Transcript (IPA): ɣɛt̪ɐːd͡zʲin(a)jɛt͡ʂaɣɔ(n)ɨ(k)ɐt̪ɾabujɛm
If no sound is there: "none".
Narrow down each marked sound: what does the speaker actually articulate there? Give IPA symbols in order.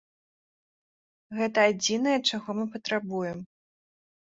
ɐ, m, p

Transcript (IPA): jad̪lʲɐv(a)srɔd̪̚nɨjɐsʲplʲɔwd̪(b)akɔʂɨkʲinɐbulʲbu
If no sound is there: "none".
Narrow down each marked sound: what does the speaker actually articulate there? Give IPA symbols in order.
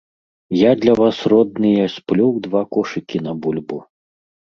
a, v

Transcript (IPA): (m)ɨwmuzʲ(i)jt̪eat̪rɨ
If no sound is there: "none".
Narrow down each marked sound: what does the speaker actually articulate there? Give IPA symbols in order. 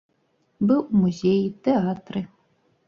b, e

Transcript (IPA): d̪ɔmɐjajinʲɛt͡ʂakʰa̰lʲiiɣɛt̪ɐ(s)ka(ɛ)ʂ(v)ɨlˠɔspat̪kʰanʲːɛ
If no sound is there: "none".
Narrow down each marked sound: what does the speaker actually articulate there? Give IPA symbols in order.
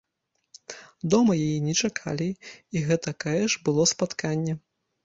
none, ɛ, b

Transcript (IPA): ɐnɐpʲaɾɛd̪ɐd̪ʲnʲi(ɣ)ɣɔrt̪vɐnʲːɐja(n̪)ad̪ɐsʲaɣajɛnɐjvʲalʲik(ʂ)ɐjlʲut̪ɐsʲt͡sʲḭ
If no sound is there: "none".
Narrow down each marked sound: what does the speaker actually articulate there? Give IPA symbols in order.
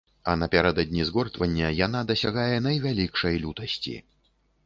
z, n̪, ʂ

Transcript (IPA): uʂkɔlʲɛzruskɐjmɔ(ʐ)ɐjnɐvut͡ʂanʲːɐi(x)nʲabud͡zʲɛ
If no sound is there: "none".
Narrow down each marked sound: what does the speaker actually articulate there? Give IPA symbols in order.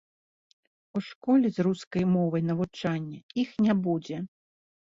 v, x

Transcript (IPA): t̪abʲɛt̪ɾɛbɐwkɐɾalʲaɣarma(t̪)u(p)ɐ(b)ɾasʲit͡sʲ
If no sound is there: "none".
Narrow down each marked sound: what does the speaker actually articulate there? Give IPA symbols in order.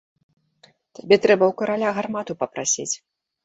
t̪, p, p

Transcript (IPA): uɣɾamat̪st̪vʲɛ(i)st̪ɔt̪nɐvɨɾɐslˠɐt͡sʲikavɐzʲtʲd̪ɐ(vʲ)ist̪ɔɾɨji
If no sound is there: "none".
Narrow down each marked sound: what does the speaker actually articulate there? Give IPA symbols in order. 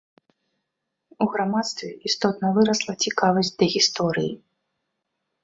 i, ɣʲ

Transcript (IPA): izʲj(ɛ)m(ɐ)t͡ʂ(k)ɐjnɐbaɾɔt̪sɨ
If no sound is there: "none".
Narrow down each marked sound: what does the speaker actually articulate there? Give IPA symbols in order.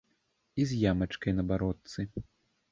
a, ɐ, k

